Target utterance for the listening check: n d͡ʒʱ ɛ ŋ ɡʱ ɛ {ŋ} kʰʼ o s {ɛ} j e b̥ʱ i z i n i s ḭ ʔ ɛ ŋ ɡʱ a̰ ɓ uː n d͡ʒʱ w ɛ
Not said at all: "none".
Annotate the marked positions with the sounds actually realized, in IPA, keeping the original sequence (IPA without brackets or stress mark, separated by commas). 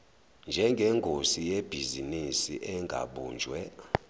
ŋ, i